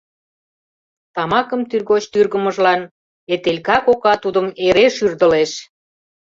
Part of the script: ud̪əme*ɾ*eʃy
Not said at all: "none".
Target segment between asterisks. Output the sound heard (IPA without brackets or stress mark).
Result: ɾ